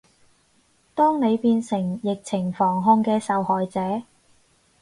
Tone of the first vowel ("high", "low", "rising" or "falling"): high